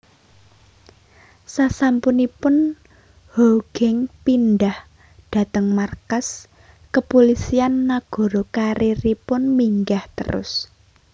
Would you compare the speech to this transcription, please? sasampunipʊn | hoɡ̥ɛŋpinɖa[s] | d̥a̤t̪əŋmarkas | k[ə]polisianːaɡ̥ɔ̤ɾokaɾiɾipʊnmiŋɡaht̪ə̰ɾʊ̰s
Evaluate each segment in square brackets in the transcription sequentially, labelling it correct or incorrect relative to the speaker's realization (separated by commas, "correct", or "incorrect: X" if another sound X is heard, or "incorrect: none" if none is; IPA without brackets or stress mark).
incorrect: h, correct